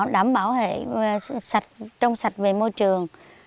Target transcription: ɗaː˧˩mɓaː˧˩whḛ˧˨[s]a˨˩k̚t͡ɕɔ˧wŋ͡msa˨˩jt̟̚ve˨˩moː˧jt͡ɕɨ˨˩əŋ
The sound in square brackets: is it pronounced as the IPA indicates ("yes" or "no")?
yes